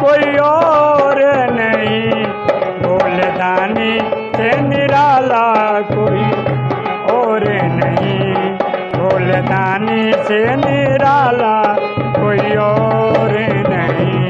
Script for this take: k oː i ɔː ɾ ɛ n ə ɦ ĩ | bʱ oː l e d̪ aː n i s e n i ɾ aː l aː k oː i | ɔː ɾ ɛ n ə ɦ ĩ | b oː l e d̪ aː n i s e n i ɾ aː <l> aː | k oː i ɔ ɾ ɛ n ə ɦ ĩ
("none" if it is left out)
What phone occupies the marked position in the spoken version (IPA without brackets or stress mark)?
l